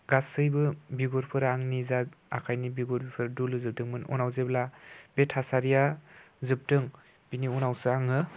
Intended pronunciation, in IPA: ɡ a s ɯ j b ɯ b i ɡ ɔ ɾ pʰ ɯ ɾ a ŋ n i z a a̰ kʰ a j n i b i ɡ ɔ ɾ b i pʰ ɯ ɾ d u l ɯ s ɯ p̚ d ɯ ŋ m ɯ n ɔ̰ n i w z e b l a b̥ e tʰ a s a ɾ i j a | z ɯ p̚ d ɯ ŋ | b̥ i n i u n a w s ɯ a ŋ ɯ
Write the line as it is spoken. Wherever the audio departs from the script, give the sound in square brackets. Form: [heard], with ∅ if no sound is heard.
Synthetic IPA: ɡ a s ɯ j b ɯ b i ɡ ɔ ɾ pʰ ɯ ɾ a ŋ n i z a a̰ kʰ a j n i b i ɡ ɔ ɾ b i pʰ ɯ ɾ d u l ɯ [z] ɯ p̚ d ɯ ŋ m ɯ n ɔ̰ n [a] w z e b l a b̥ e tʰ a s a ɾ i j a | z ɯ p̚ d ɯ ŋ | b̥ i n i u n a w s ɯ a ŋ ɯ